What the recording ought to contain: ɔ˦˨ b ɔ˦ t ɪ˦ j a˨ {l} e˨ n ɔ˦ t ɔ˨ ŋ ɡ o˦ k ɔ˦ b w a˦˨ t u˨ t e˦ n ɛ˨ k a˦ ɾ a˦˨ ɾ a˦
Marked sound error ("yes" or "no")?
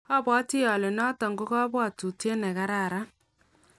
no